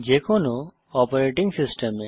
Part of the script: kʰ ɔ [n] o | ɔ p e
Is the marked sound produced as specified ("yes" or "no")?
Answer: yes